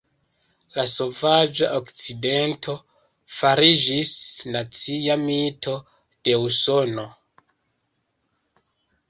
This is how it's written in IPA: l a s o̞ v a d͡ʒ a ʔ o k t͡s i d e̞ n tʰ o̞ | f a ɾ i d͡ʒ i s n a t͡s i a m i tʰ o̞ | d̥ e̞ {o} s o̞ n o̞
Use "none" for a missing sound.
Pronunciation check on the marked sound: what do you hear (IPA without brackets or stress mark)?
u